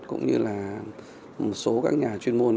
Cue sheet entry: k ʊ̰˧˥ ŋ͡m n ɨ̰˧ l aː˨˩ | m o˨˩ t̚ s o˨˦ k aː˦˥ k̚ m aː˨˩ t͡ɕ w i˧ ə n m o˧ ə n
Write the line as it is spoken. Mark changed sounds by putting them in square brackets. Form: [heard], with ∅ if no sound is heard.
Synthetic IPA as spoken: k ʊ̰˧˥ ŋ͡m [ɲ] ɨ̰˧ l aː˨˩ | m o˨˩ t̚ s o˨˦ k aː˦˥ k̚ [ɲ] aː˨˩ t͡ɕ w i˧ ə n m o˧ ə n